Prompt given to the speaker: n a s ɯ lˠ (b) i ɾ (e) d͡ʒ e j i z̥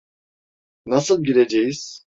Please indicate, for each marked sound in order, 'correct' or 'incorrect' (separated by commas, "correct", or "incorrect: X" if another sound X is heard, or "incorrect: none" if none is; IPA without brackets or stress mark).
incorrect: ɟ, correct